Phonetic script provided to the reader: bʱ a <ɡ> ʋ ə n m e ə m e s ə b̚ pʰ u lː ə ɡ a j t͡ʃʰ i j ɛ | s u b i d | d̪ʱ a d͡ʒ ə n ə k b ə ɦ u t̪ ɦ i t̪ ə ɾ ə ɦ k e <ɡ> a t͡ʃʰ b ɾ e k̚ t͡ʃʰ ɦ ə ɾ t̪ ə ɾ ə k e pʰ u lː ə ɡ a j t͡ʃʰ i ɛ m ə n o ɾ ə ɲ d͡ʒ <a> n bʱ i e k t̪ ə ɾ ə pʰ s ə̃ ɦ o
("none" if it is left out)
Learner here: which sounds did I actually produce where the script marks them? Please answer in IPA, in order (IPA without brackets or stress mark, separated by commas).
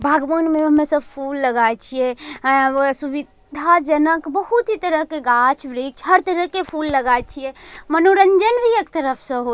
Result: ɡ, ɡ, ə